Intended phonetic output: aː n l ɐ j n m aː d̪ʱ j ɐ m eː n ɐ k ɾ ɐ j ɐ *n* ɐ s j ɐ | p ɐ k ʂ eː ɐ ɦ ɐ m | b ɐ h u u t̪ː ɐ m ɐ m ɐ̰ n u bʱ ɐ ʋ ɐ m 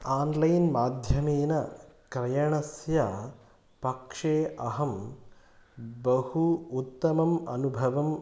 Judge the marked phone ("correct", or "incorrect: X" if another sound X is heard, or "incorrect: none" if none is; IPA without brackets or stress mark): incorrect: ɳ